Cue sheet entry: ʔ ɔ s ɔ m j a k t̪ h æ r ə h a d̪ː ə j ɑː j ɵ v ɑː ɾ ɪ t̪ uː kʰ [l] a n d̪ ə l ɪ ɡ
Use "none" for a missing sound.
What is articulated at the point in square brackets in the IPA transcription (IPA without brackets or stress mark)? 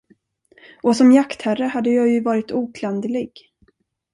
l